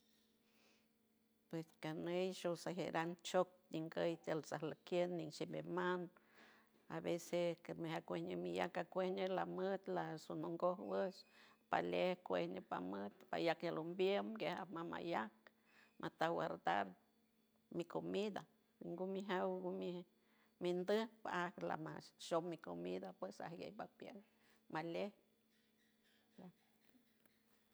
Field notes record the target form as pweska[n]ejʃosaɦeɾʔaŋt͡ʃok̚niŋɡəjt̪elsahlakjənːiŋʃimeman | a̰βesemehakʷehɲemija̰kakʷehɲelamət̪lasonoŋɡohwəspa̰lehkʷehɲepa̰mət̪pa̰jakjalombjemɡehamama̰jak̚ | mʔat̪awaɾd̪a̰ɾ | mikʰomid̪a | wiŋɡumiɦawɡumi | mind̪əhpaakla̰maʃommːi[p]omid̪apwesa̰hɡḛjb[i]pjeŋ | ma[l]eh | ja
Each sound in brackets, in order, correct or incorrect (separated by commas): correct, incorrect, incorrect, correct